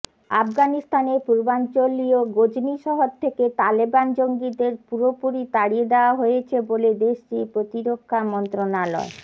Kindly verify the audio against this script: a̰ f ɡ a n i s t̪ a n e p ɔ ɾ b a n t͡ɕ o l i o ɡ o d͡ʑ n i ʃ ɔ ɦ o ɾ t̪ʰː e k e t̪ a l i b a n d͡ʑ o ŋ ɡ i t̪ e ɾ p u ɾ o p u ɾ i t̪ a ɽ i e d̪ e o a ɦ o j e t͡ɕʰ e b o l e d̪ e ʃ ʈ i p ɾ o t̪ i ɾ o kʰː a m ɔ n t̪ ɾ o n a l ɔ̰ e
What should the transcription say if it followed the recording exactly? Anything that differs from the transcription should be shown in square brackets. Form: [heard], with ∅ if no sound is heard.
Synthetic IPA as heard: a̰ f ɡ a n i s t̪ a n e p [u] ɾ b a n t͡ɕ o l i o ɡ o d͡ʑ n i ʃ ɔ ɦ o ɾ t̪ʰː e k e t̪ a l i b a n d͡ʑ o ŋ ɡ i [d̪] e ɾ p u ɾ o p u ɾ i t̪ a ɽ i e d̪ e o a ɦ o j e t͡ɕʰ e b o l e d̪ e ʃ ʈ i p ɾ o t̪ i ɾ o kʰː a m ɔ n t̪ ɾ o n a l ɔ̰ e

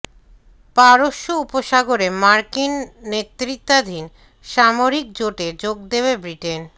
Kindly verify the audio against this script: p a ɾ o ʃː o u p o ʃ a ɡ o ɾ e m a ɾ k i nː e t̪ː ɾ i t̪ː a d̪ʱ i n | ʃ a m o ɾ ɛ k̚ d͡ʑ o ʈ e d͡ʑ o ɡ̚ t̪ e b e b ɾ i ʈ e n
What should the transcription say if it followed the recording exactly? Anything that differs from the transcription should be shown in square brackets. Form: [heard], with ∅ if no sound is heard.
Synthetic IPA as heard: p a ɾ o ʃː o u p o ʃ a ɡ o ɾ e m a ɾ k i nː e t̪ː ɾ i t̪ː a d̪ʱ i n | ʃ a m o ɾ [i] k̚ d͡ʑ o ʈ e d͡ʑ o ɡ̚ [d̪] e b e b ɾ i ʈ e n

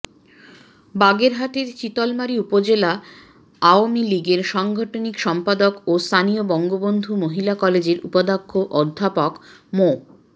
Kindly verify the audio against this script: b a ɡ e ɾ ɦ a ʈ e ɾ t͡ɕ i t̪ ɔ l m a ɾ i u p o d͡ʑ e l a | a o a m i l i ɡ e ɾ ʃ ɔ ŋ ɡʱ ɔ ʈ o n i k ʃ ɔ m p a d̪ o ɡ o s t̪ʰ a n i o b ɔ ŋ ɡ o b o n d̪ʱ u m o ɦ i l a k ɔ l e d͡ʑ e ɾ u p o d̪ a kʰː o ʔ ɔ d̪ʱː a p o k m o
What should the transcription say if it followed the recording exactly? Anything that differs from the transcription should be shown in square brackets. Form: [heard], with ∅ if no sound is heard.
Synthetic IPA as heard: b a ɡ e ɾ ɦ a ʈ e ɾ t͡ɕ i t̪ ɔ l m a ɾ i u p o d͡ʑ e l a | a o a m i l i ɡ e ɾ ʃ ɔ ŋ ɡʱ ɔ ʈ o n i k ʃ ɔ m p a d̪ o [k] o s t̪ʰ a n i o b ɔ ŋ ɡ o b o n d̪ʱ u m o ɦ i l a k ɔ l e d͡ʑ e ɾ u p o d̪ a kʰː o ʔ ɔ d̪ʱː a p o k m o

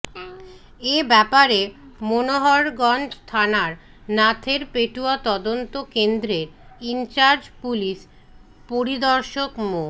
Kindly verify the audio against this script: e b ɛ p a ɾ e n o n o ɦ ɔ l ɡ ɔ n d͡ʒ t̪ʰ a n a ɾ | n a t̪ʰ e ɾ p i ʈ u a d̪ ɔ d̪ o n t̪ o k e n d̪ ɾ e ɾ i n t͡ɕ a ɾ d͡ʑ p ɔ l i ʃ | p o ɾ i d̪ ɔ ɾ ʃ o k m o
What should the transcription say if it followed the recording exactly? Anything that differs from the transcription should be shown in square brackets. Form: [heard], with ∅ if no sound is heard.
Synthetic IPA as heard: e b ɛ p a ɾ e [m] o n o ɦ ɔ [ɾ] ɡ ɔ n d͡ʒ t̪ʰ a n a ɾ | n a t̪ʰ e ɾ p [e] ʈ u a [t̪] ɔ d̪ o n t̪ o k e n d̪ ɾ e ɾ i n t͡ɕ a ɾ d͡ʑ p [u] l i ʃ | p o ɾ i d̪ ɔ ɾ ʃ o k m o

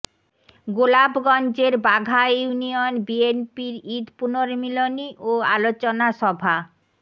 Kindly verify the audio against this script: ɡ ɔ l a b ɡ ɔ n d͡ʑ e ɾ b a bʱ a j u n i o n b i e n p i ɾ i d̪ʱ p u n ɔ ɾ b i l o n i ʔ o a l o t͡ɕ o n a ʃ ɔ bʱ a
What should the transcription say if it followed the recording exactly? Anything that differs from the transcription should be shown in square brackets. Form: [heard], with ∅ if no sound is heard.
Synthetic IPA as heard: ɡ [o] l a b ɡ ɔ n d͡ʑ e ɾ b a [ɡʱ] a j u n i o n b i e n p i ɾ i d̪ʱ p u n [o] ɾ [m] i l o n i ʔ o a l o t͡ɕ o n a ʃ ɔ bʱ a

